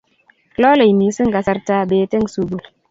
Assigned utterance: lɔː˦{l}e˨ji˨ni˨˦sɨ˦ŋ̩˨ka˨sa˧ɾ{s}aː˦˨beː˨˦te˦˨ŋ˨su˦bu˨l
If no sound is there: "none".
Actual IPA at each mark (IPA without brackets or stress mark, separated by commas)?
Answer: l, t